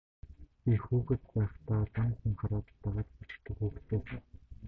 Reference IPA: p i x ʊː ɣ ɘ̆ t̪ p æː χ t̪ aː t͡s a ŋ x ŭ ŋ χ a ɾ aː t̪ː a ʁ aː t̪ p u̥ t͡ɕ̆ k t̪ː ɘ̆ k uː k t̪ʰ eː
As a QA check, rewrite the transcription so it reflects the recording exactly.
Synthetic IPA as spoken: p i x uː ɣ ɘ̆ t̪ p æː χ t̪ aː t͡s a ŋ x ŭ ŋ χ a ɾ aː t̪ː a ʁ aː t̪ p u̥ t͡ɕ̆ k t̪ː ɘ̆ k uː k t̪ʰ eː